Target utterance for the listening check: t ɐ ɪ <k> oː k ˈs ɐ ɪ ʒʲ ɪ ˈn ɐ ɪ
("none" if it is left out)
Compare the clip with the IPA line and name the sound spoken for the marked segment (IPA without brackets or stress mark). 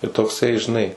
t